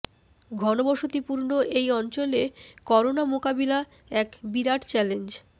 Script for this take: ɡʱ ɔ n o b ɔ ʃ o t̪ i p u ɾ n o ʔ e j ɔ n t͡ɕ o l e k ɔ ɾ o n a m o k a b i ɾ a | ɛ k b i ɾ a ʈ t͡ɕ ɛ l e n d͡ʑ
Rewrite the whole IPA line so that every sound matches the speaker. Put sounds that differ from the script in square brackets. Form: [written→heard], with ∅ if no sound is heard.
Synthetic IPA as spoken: ɡʱ ɔ n o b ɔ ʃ o t̪ i p u ɾ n o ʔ e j ɔ n t͡ɕ o l e k ɔ ɾ o n a m o k a b i [ɾ→l] a | ɛ k b i ɾ a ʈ t͡ɕ ɛ l e n d͡ʑ